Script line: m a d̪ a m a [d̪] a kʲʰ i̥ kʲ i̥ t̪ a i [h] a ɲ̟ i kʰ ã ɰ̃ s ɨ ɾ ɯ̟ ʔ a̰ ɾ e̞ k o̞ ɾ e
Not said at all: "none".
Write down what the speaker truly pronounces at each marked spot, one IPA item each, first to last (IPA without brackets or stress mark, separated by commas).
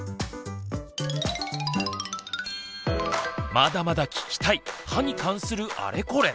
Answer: d̪, h